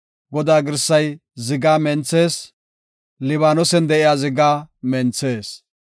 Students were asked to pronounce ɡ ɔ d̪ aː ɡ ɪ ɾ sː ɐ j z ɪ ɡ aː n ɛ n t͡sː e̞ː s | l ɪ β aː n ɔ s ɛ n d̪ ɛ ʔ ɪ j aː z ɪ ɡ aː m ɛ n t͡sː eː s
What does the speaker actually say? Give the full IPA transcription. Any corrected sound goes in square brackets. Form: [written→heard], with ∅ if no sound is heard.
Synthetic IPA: ɡ ɔ d̪ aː ɡ ɪ ɾ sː ɐ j z ɪ ɡ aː [n→m] ɛ n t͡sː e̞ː s | l ɪ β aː n ɔ s ɛ n d̪ ɛ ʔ ɪ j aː z ɪ ɡ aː m ɛ n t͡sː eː s